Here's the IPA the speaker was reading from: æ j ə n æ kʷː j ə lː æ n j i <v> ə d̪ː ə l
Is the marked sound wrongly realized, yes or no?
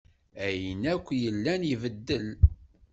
no